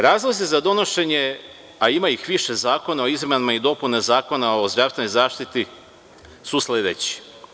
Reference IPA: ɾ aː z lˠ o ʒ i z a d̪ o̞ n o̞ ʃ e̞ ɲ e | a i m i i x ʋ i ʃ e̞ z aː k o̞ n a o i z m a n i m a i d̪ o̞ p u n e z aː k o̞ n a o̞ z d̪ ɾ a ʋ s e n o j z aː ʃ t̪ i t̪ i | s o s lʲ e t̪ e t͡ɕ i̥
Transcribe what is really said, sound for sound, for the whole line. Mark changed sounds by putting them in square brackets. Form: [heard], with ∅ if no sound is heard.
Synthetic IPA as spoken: ɾ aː z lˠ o [z] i z a d̪ o̞ n o̞ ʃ e̞ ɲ e | a i m [a] i x ʋ i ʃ e̞ z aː k o̞ n a o i z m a n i m a i d̪ o̞ p u n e z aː k o̞ n a o̞ z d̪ ɾ a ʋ s e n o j z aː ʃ t̪ i t̪ i | s [u] s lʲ e [d̪] e t͡ɕ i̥